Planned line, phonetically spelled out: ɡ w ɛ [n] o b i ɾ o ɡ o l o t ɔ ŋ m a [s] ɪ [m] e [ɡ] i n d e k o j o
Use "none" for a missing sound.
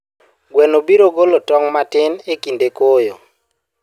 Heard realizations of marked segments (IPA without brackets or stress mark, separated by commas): n, t, n, k